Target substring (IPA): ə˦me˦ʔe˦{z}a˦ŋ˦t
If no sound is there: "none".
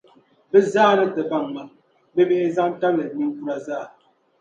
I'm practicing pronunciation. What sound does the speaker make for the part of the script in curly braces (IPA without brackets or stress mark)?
z